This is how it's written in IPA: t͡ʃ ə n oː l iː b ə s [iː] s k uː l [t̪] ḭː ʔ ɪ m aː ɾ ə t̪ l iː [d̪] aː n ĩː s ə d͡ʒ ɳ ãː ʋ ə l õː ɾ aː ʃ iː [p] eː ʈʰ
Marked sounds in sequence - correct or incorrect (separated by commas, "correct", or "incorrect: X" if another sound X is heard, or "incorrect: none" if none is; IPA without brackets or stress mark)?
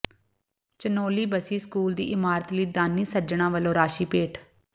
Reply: correct, incorrect: d̪, correct, correct